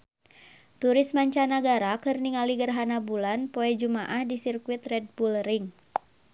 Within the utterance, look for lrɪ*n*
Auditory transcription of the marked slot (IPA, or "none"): ŋ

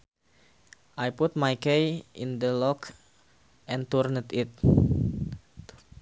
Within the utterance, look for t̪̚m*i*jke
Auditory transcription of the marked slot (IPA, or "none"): a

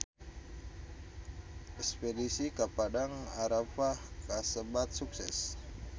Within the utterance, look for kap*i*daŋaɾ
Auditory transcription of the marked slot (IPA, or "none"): a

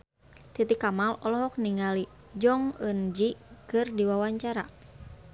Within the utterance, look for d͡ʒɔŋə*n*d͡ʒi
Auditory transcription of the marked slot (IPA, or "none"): n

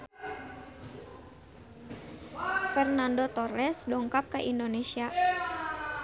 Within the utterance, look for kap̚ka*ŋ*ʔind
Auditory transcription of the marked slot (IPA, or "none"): none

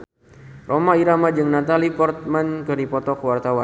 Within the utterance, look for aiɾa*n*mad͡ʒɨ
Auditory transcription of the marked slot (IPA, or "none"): none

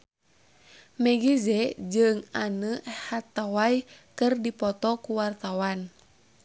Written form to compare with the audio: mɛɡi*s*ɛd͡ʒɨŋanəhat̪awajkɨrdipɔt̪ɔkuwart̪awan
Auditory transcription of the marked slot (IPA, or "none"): z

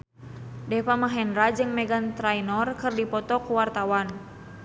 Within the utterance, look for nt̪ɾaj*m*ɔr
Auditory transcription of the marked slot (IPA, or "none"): n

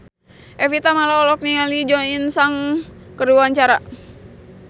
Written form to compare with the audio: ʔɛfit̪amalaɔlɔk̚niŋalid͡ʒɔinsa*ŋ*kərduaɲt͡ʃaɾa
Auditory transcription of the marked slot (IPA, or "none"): ŋ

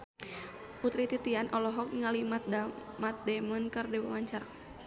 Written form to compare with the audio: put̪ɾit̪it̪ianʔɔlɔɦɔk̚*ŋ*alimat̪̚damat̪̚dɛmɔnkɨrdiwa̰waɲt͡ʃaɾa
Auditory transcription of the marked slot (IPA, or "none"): ŋ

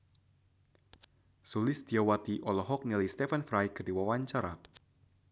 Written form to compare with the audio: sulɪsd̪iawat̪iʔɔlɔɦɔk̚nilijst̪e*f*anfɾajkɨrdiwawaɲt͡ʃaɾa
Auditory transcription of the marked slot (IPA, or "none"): f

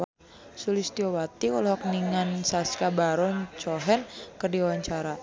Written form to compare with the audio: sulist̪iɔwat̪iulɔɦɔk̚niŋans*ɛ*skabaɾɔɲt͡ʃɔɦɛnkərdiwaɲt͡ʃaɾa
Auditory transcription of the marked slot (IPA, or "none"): a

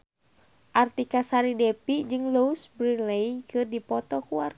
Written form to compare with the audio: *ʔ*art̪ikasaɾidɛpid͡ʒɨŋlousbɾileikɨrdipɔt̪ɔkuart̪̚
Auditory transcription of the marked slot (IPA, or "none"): ʔ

